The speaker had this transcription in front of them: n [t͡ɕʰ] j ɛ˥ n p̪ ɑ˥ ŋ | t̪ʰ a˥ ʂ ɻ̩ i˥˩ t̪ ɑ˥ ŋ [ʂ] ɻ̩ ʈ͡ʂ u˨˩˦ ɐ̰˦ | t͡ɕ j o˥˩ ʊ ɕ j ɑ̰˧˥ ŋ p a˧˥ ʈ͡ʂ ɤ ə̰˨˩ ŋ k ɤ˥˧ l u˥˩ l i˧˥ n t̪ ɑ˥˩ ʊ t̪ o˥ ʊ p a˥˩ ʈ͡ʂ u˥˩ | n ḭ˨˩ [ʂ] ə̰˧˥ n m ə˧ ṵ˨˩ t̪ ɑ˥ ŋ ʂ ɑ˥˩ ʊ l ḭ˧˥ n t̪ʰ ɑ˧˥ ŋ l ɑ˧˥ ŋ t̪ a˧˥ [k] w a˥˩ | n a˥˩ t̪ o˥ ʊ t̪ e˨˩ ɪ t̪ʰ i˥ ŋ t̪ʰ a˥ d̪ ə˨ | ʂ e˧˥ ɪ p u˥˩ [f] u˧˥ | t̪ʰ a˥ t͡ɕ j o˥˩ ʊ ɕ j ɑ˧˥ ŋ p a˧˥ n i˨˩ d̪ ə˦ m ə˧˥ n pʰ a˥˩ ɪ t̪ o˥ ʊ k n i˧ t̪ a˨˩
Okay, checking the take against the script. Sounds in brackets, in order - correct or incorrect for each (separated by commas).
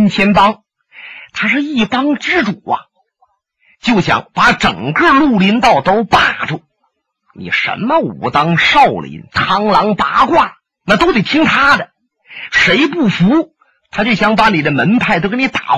correct, incorrect, correct, correct, correct